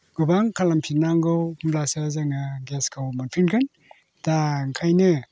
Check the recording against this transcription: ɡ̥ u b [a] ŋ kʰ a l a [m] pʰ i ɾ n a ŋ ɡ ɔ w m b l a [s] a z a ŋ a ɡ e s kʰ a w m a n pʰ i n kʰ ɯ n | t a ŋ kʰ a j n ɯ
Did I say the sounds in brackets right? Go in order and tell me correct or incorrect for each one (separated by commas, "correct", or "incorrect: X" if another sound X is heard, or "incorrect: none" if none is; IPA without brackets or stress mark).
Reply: correct, correct, correct